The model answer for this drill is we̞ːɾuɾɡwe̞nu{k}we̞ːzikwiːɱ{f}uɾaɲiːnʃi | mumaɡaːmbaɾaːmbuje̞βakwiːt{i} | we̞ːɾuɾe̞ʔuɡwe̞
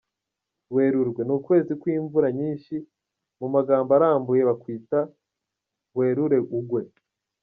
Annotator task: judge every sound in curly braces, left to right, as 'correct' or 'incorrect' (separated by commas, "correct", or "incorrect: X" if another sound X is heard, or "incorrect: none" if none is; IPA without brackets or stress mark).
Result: correct, incorrect: v, incorrect: a